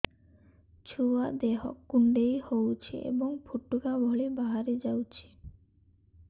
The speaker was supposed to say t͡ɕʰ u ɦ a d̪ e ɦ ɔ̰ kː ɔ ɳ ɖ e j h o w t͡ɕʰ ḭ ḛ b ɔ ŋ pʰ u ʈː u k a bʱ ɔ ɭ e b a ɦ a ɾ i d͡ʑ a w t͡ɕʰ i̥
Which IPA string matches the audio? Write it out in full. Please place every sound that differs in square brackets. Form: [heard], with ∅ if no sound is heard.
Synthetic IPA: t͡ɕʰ u [∅] a d̪ e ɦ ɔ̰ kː [u] ɳ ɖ e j h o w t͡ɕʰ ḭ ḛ b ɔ ŋ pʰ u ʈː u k a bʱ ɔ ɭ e b a ɦ a ɾ [e] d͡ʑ a w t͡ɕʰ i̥